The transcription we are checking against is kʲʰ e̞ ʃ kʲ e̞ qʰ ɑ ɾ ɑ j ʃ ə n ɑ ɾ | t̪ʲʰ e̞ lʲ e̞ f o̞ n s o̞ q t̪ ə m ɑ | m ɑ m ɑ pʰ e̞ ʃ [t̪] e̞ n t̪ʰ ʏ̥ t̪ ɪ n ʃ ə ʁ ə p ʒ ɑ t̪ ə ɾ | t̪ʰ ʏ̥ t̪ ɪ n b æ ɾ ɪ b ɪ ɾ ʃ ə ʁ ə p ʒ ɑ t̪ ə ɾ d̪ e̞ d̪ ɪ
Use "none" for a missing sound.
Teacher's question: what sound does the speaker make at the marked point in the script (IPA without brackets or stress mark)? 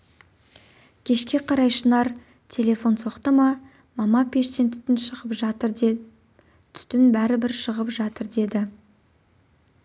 t̪